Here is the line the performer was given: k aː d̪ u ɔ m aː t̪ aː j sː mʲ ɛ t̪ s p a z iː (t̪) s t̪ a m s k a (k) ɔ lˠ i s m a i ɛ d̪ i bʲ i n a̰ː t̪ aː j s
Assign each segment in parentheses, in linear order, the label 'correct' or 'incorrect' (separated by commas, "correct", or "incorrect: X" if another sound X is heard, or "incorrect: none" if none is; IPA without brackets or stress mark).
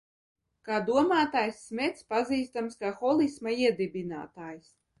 incorrect: none, incorrect: x